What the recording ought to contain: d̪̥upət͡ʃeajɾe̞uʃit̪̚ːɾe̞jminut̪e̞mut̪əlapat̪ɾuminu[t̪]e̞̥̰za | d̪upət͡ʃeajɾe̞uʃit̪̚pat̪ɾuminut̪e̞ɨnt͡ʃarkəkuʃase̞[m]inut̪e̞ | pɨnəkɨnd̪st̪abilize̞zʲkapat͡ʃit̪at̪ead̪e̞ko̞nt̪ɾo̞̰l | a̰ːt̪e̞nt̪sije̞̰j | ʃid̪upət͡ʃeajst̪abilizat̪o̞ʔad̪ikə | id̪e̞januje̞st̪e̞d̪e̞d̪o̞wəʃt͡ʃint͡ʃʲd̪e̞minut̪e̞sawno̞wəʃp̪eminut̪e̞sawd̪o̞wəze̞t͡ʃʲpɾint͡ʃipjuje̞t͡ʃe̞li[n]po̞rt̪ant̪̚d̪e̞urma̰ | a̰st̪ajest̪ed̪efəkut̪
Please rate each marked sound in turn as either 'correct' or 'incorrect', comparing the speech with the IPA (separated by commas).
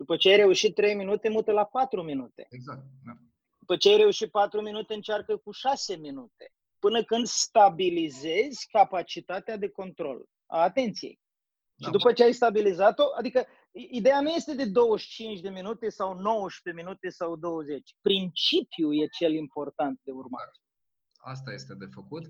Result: correct, correct, incorrect